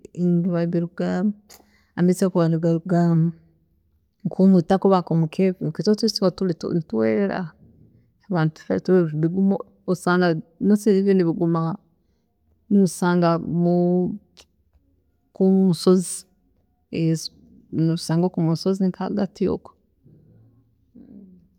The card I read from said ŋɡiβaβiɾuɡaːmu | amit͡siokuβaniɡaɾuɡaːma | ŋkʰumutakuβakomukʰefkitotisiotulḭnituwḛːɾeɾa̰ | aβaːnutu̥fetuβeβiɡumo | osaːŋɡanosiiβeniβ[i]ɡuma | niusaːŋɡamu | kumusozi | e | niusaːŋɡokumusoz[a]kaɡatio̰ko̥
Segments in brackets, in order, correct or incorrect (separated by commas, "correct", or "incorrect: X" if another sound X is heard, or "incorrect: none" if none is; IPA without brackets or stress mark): correct, incorrect: i